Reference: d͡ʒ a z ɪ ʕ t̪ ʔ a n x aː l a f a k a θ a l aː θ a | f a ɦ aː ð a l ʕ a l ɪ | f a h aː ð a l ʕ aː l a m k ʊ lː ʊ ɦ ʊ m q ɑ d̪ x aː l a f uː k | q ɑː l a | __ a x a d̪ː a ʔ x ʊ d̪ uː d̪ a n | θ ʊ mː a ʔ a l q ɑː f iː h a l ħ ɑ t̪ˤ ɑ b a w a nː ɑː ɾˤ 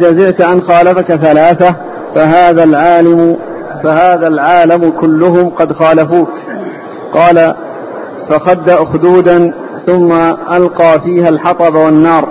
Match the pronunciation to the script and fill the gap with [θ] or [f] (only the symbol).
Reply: f